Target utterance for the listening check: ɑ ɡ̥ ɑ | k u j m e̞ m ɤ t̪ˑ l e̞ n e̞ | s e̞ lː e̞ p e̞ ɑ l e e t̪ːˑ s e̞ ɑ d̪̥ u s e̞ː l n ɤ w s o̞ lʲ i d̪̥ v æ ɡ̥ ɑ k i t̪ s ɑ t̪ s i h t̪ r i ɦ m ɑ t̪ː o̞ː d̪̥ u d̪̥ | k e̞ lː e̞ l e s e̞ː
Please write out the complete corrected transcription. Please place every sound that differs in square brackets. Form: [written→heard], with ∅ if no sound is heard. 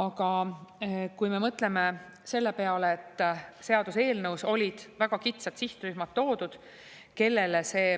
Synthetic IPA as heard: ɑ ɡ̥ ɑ | k u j m e̞ m ɤ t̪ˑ l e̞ [n→m] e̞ | s e̞ lː e̞ p e̞ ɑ l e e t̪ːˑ s e̞ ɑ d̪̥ u s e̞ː l n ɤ w s o̞ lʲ i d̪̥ v æ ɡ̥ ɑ k i t̪ s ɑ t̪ s i h t̪ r [i→y] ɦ m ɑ t̪ː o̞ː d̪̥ u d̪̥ | k e̞ lː e̞ l e s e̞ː